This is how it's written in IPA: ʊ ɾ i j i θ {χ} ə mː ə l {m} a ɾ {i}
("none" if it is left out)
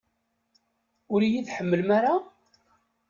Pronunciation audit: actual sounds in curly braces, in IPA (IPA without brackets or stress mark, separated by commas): ħ, m, a